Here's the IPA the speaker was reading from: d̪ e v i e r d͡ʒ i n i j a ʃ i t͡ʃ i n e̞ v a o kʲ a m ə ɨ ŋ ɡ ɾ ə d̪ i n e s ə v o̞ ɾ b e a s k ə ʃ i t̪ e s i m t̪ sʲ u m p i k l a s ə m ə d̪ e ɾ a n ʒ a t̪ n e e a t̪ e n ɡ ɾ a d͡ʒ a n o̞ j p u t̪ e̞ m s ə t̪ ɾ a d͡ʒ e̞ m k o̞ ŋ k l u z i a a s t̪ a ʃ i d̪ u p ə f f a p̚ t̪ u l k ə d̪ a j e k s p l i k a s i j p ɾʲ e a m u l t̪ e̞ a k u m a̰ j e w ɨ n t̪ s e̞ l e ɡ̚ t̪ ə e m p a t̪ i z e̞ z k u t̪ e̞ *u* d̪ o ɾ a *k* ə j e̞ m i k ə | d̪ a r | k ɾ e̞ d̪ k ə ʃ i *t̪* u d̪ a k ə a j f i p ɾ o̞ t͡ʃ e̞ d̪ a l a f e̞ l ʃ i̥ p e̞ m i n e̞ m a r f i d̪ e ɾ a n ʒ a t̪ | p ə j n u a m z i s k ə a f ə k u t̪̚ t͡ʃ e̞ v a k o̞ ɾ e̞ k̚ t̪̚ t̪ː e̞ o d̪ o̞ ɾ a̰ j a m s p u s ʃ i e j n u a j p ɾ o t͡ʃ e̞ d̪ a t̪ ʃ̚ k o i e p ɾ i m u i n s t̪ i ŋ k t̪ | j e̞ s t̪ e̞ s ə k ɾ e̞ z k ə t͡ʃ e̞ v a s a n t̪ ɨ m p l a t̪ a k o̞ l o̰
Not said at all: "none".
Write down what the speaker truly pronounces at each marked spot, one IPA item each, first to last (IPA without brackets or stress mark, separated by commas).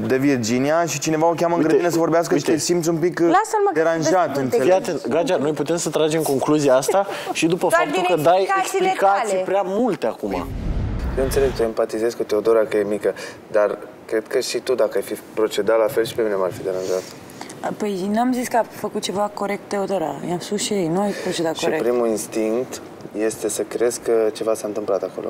o, k, t̪